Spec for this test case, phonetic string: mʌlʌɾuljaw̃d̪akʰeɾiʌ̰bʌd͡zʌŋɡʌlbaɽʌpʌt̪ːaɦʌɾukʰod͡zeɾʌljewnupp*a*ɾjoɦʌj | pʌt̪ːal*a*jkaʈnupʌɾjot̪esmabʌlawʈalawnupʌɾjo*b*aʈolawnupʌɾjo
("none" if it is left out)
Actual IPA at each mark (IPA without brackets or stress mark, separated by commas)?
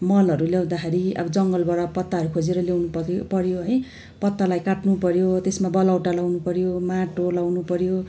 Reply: ʌ, a, m